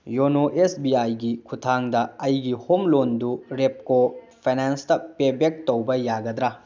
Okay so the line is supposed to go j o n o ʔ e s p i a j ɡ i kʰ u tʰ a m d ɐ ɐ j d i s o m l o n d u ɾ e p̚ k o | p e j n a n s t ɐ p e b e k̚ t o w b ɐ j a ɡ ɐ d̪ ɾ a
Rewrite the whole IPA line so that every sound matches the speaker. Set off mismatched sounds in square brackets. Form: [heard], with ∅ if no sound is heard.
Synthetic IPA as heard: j o n o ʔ e s [b] i a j ɡ i kʰ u tʰ a [ŋ] d ɐ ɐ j [ɡ] i [h] o m l o n d u ɾ e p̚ k o | [pʰ] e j n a n s t ɐ p e b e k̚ t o w b ɐ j a ɡ ɐ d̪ ɾ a